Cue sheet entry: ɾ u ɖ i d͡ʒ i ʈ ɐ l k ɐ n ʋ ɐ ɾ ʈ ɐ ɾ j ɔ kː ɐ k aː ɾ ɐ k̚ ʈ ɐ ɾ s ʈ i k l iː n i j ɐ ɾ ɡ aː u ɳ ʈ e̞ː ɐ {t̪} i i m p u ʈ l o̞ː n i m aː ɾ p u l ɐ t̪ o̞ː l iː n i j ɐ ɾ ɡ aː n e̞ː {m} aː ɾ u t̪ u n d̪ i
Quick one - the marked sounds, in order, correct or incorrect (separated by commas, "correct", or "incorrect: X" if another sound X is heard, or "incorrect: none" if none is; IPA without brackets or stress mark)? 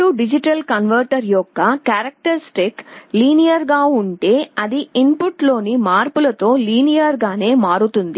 incorrect: d̪, correct